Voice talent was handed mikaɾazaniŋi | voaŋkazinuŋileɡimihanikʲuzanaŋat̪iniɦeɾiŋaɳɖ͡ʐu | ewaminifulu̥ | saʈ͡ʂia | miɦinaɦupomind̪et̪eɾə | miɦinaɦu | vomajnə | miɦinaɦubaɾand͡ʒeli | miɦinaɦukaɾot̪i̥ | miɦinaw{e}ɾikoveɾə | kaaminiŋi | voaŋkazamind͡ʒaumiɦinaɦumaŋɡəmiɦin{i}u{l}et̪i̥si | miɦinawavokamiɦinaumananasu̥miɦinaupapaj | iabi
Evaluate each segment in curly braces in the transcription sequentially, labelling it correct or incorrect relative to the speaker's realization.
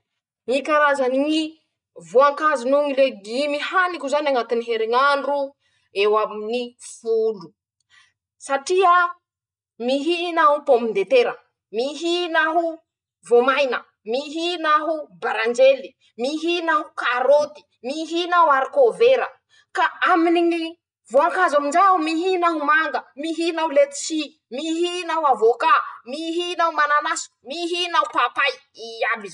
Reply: incorrect, incorrect, correct

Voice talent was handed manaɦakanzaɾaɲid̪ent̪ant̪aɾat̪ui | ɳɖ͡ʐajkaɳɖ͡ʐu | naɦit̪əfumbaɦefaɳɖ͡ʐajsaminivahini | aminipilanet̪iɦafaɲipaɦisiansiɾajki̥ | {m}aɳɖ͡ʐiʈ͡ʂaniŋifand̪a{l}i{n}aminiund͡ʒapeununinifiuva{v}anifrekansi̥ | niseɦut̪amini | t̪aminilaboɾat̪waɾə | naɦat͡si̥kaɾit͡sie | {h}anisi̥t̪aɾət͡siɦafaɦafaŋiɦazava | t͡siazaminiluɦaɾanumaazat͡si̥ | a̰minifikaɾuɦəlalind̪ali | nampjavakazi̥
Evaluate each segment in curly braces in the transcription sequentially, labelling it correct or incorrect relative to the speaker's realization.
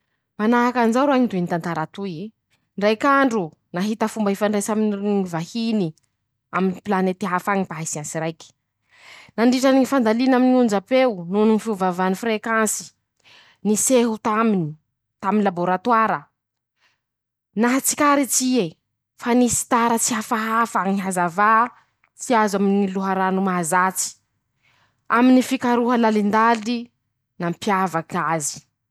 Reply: incorrect, correct, correct, correct, incorrect

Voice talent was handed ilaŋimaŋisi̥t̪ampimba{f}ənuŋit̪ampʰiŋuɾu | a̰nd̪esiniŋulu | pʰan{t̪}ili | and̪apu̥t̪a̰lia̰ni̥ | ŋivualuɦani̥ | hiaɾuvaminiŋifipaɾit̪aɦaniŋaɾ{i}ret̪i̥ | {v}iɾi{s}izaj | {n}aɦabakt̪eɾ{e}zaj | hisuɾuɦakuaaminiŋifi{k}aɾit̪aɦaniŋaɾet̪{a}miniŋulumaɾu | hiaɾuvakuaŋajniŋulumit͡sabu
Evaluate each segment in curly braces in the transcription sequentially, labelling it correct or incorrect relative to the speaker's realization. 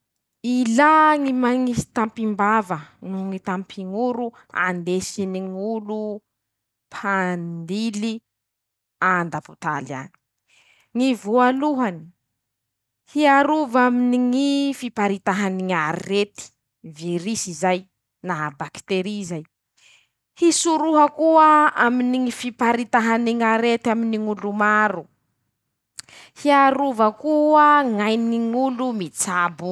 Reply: incorrect, incorrect, correct, correct, correct, correct, incorrect, incorrect, correct

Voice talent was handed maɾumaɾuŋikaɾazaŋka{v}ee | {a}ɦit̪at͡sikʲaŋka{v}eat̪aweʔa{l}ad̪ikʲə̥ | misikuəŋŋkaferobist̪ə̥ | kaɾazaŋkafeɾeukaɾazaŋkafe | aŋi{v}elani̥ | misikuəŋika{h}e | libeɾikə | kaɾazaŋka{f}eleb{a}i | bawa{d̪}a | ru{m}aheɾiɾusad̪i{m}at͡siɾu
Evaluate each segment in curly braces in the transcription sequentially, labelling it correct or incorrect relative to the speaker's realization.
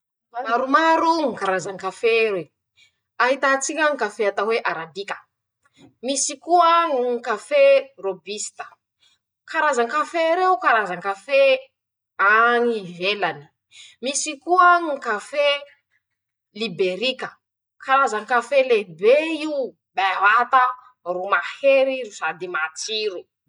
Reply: incorrect, correct, incorrect, incorrect, correct, incorrect, correct, incorrect, incorrect, correct, correct

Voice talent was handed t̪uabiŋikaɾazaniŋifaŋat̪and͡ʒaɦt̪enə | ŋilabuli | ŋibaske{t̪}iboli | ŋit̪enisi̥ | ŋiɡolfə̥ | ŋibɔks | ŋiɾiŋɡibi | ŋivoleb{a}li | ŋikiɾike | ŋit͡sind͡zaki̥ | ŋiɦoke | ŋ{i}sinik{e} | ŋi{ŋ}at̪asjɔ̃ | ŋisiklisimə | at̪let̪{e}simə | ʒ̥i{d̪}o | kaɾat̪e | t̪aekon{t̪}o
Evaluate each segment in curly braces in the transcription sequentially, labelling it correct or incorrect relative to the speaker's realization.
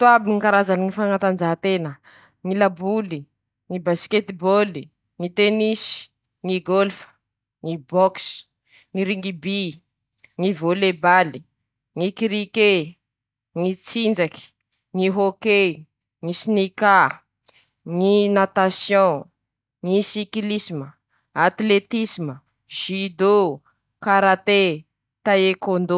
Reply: correct, correct, correct, incorrect, incorrect, incorrect, correct, incorrect

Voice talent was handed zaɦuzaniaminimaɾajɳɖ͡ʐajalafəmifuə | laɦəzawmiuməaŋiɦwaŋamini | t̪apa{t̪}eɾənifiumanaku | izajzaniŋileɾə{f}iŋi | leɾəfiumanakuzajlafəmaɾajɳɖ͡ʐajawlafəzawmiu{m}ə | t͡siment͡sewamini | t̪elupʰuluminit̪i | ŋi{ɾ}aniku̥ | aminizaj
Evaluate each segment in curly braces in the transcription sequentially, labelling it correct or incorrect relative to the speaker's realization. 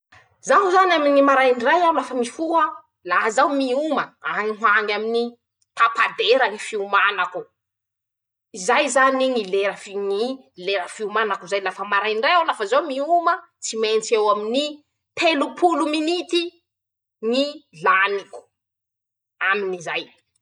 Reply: incorrect, correct, correct, incorrect

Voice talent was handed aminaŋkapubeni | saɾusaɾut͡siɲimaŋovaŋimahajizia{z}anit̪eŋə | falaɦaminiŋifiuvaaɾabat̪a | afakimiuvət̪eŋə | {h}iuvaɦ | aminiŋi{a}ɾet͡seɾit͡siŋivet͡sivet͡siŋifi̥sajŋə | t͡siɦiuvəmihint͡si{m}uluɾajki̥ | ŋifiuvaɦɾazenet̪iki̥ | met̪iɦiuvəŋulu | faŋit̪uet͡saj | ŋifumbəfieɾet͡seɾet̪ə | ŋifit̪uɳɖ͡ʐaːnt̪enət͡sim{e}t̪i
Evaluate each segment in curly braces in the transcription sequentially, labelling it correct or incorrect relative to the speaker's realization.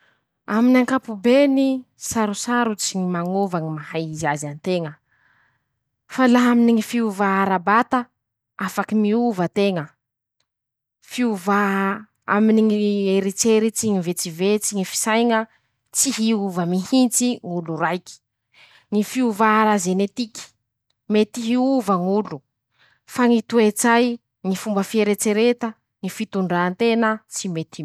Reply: correct, incorrect, incorrect, incorrect, correct

